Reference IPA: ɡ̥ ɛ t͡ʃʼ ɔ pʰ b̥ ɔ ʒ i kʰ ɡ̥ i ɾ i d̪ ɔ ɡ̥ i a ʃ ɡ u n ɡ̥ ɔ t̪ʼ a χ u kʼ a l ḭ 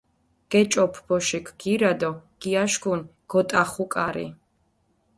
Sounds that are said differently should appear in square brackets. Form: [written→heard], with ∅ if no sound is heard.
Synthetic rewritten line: ɡ̥ ɛ t͡ʃʼ ɔ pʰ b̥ ɔ [ʒ→ʃ] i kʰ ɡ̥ i ɾ [i→a] d̪ ɔ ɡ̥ i a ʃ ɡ u n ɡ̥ ɔ t̪ʼ a χ u kʼ a [l→ɾ] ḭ